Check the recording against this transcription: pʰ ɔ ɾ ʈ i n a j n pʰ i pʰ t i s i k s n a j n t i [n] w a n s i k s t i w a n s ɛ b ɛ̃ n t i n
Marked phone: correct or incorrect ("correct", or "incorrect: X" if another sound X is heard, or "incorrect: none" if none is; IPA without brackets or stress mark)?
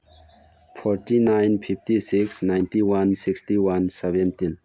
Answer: incorrect: none